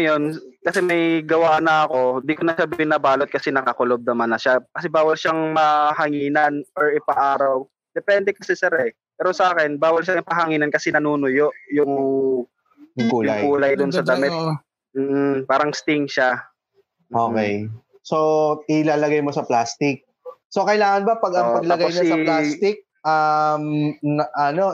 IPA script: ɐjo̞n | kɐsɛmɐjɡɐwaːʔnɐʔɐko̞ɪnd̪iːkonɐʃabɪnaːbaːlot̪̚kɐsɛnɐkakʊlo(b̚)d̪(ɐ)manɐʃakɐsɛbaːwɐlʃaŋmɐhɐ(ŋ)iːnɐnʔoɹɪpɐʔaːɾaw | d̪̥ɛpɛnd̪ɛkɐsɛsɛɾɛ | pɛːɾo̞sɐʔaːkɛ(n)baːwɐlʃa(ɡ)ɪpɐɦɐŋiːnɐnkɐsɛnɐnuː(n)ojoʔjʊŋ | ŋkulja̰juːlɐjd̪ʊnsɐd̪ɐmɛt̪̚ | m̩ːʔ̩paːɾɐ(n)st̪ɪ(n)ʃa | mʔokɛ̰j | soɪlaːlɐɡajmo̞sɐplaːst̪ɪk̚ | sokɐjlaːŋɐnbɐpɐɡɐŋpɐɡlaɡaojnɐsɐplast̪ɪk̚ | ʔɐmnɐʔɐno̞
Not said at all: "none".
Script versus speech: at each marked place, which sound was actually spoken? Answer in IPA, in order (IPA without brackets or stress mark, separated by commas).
b̚, ɐ, ŋ, n, ŋ, n, ŋ, ŋ